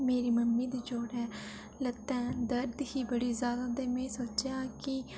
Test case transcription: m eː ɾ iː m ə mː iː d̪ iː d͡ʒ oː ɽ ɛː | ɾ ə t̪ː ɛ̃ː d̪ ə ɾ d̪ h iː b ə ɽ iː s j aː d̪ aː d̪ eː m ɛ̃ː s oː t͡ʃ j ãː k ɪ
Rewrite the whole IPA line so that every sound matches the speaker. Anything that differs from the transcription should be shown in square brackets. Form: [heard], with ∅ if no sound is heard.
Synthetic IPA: m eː ɾ iː m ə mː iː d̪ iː d͡ʒ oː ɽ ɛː | [l] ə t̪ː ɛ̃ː d̪ ə ɾ d̪ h iː b ə ɽ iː [z] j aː d̪ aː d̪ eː m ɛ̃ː s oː t͡ʃ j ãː k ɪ

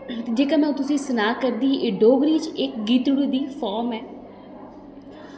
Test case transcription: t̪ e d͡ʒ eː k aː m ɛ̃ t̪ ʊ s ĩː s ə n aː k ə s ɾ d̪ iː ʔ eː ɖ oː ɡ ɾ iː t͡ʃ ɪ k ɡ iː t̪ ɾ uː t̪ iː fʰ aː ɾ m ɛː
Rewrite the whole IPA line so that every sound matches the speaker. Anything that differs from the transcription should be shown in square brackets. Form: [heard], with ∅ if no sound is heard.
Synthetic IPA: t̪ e d͡ʒ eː k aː m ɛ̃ t̪ ʊ s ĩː s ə n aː k ə [∅] ɾ d̪ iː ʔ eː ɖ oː ɡ ɾ iː t͡ʃ ɪ k ɡ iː t̪ [ɽ] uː [d̪] iː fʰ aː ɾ m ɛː

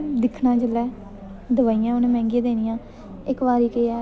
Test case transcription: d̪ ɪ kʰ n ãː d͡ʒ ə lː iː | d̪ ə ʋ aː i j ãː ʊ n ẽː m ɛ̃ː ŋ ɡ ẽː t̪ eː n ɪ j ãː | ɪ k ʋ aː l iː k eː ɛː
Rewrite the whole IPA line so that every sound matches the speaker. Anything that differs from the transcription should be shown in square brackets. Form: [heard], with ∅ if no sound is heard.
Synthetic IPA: d̪ ɪ kʰ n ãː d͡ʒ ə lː [ɛː] | d̪ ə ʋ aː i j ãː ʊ n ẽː m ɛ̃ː ŋ ɡ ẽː [d̪] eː n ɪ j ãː | ɪ k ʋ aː [ɾ] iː k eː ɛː

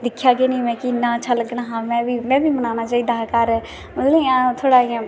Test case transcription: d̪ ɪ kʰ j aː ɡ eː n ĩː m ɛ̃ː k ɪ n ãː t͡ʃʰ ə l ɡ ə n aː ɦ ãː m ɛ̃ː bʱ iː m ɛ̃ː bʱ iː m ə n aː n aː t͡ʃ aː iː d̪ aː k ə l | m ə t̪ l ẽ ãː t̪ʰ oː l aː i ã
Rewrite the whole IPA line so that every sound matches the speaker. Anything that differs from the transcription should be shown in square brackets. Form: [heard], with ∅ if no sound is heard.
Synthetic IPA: d̪ ɪ kʰ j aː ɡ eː n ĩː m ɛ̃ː k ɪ n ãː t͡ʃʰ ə l ɡ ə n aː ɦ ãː m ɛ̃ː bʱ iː m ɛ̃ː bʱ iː m ə n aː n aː t͡ʃ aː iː d̪ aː k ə [ɾ] | m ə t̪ l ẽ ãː t̪ʰ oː [ɽ] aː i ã

